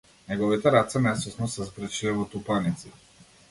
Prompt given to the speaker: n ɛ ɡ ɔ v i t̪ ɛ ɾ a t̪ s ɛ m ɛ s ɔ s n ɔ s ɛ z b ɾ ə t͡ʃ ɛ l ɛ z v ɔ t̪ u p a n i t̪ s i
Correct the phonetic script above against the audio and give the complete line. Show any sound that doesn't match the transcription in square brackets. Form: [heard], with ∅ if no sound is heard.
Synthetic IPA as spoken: n ɛ ɡ ɔ v i t̪ ɛ ɾ a t̪ s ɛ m ɛ s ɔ s n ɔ s ɛ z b ɾ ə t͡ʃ [i] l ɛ [∅] v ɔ t̪ u p a n i t̪ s i